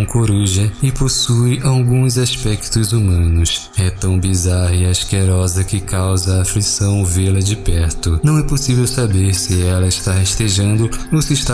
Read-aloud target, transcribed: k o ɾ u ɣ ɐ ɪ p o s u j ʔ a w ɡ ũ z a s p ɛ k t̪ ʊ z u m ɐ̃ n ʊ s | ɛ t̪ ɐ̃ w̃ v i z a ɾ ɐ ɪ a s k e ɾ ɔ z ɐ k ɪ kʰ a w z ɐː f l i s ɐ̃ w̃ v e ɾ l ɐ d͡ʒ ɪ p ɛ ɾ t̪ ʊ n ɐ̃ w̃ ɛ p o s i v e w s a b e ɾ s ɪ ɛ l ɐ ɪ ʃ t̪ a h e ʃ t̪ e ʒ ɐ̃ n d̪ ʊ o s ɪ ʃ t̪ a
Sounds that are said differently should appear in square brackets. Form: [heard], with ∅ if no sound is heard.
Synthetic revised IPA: k o ɾ u [ʒ] ɐ ɪ p o s u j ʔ a w ɡ ũ z a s p ɛ k t̪ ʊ z u m ɐ̃ n ʊ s | ɛ t̪ ɐ̃ w̃ [b] i z a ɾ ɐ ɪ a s k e ɾ ɔ z ɐ k ɪ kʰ a w z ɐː f l i s ɐ̃ w̃ v e [∅] l ɐ d͡ʒ ɪ p ɛ ɾ t̪ ʊ n ɐ̃ w̃ ɛ p o s i v e w s a b e ɾ s ɪ ɛ l ɐ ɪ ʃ t̪ a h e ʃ t̪ e ʒ ɐ̃ n d̪ ʊ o s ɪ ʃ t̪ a